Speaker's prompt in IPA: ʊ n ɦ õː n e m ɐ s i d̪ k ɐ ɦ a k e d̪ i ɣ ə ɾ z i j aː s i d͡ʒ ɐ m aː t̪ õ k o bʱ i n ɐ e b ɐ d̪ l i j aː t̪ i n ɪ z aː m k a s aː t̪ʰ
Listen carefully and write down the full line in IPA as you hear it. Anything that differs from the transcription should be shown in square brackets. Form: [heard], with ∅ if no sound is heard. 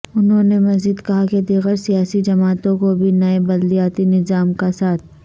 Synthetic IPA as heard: ʊ n ɦ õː n e m ɐ [z] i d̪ k ɐ ɦ a k e d̪ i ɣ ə ɾ [s] i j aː s i d͡ʒ ɐ m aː t̪ õ k o bʱ i n ɐ e b ɐ d̪ l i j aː t̪ i n ɪ z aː m k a s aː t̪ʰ